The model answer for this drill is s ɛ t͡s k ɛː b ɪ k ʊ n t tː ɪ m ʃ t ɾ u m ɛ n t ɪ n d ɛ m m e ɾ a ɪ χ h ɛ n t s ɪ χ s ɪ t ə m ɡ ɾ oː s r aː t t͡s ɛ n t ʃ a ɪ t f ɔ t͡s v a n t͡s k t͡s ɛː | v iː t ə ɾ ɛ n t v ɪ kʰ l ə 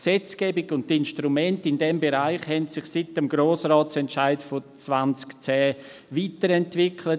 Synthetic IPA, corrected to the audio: s ɛ t͡s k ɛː b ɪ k ʊ n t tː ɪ n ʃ t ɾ u m ɛ n t ɪ n d ɛ m b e ɾ a ɪ χ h ɛ n t s ɪ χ s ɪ t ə m ɡ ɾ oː s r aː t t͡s ɛ n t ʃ a ɪ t f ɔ t͡s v a n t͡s k t͡s ɛː | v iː t ə ɾ ɛ n t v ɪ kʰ l ə